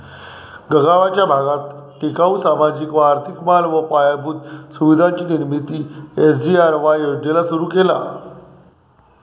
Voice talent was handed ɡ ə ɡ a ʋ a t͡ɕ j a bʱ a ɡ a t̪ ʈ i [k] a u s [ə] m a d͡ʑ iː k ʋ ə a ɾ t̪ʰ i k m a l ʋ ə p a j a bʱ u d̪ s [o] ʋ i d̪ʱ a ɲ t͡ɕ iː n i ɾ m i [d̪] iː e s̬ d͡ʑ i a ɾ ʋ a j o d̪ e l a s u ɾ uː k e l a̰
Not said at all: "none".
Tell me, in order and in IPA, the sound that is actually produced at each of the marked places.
k, a, u, t̪

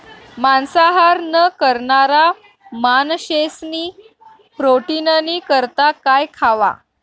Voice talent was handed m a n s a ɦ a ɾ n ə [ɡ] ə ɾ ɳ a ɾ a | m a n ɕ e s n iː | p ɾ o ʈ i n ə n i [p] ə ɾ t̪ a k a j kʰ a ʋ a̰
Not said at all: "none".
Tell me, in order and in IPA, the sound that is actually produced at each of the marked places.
k, k

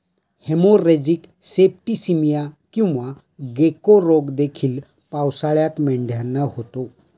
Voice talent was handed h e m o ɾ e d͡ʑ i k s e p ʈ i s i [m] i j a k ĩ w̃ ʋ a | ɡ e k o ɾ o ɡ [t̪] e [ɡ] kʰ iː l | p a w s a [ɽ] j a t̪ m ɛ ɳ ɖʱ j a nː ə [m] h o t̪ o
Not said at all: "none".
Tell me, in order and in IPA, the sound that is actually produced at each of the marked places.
m, d̪, none, ɭ, none

